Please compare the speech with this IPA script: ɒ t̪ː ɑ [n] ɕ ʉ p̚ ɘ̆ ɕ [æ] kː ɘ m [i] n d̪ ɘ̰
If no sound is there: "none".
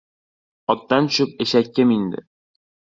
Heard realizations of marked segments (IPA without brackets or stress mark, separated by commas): n, æ, i